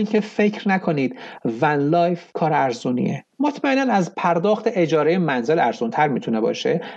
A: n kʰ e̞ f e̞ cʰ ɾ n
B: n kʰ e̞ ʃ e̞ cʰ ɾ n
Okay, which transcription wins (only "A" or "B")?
A